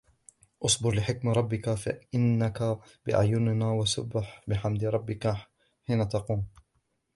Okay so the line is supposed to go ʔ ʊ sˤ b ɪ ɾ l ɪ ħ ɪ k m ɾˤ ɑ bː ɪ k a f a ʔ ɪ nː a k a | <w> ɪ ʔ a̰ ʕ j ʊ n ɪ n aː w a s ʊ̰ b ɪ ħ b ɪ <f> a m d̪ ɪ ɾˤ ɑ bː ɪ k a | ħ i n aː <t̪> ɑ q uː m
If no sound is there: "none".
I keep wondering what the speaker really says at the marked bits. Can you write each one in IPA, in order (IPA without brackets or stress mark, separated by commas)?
b, ħ, t̪